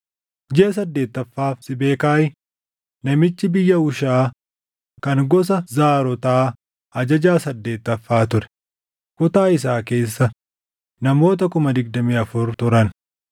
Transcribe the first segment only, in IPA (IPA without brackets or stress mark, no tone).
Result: d͡ʒ